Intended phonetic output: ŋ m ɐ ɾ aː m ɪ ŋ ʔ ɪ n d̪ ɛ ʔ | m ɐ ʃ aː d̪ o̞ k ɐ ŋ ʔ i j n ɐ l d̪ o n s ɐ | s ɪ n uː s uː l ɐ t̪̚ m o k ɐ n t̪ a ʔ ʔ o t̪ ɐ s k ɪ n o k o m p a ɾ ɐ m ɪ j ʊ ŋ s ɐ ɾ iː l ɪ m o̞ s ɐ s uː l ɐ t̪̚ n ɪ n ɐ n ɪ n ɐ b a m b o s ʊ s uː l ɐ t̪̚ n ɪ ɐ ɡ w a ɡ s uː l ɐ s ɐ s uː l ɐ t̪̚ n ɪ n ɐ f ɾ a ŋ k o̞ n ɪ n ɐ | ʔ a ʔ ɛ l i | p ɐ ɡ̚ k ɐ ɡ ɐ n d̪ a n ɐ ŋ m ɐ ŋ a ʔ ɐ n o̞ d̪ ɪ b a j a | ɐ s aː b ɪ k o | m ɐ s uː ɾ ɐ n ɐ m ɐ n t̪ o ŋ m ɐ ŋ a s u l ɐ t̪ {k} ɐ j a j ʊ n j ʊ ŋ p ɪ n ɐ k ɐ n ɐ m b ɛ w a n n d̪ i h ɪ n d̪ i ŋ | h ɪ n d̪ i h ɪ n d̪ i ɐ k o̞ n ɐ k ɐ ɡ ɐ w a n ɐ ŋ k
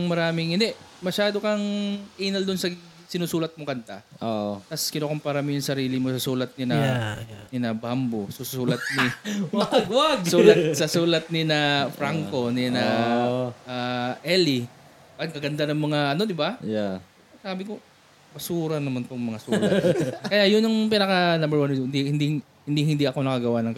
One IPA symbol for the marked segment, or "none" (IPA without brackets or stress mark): k